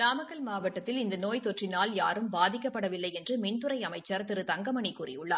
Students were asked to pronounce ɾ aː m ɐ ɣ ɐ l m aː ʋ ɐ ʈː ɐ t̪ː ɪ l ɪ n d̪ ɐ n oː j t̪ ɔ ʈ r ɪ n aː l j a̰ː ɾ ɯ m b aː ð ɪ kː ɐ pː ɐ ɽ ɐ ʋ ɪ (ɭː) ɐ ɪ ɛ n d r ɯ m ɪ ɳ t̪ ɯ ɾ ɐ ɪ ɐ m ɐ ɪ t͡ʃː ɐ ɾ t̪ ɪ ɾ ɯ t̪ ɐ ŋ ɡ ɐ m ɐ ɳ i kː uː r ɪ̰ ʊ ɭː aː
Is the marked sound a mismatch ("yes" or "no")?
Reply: yes